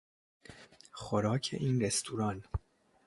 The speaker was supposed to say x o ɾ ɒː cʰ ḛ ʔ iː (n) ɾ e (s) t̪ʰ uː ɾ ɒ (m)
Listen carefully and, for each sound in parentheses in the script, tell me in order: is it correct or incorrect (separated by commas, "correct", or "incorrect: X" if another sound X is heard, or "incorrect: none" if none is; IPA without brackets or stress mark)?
correct, correct, incorrect: n